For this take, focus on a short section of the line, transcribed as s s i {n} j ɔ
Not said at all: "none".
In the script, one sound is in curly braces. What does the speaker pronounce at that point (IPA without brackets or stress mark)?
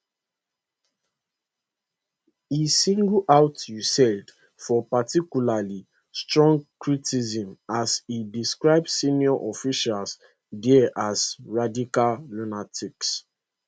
n